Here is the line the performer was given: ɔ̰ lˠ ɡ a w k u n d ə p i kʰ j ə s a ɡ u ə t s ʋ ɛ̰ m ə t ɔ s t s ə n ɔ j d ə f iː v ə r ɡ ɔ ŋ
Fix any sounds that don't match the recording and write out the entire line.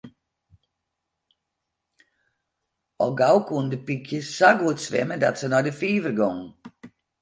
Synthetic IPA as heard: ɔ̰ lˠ ɡ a w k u n d ə p i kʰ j ə s a ɡ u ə t s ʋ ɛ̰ m ə d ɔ t s ə n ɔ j d ə f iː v ə r ɡ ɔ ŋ